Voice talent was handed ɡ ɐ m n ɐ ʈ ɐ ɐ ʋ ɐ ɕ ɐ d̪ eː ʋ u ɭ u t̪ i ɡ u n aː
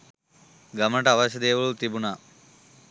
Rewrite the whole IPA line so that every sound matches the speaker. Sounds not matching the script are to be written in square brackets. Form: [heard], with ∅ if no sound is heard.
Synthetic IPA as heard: ɡ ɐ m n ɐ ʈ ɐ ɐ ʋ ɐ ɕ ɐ d̪ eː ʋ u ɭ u t̪ i [b] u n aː